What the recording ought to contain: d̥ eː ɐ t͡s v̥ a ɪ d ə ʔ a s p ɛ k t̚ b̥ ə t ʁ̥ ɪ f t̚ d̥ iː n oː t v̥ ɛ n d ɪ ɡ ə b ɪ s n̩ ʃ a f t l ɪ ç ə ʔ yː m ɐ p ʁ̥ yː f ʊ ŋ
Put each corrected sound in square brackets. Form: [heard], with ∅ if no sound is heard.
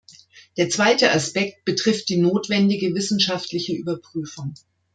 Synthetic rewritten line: d̥ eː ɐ t͡s v̥ a ɪ [t] ə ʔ a s p ɛ k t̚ b̥ ə t ʁ̥ ɪ f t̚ d̥ iː n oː t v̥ ɛ n d ɪ ɡ ə [v] ɪ s n̩ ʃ a f t l ɪ ç ə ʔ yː [b] ɐ p ʁ̥ yː f ʊ ŋ